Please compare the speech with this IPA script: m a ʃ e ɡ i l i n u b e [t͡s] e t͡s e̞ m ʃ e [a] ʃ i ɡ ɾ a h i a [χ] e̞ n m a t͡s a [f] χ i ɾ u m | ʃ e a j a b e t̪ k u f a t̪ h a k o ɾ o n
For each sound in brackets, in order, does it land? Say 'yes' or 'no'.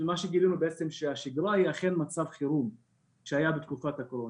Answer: no, yes, yes, no

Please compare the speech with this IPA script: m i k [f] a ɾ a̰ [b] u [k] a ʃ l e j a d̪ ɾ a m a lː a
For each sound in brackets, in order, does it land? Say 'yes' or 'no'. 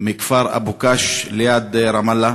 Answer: yes, yes, yes

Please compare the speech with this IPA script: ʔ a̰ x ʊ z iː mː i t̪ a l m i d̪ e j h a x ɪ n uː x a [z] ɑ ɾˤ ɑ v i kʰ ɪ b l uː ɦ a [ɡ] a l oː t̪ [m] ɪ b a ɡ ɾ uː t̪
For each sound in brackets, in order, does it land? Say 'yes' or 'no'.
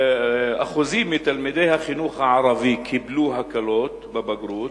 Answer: no, no, no

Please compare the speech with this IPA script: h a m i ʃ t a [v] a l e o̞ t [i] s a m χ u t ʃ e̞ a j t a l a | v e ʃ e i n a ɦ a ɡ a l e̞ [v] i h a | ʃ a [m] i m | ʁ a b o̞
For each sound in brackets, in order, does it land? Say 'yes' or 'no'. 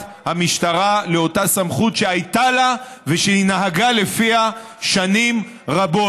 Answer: no, no, no, no

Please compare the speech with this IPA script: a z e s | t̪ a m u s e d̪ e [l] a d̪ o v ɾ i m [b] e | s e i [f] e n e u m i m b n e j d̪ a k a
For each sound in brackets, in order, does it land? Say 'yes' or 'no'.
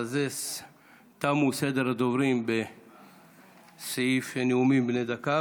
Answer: no, yes, yes

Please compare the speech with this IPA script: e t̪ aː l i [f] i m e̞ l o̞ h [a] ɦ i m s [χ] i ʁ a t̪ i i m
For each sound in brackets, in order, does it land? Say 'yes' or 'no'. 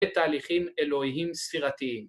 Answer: no, no, no

